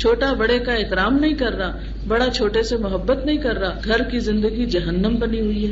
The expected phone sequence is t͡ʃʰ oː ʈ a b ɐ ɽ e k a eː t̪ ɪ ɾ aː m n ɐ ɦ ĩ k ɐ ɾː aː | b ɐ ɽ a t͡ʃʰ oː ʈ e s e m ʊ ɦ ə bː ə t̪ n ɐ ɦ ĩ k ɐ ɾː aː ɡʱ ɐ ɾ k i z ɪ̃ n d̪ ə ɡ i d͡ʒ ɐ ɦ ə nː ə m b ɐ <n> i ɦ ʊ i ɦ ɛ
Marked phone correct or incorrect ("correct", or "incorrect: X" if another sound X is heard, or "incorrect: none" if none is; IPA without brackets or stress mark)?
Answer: correct